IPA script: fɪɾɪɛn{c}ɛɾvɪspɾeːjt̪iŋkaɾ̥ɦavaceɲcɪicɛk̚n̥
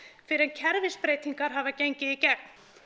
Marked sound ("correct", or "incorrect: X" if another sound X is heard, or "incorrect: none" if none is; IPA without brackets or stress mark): incorrect: cʰ